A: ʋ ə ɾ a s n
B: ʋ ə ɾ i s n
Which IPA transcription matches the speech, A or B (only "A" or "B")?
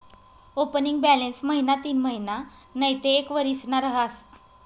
B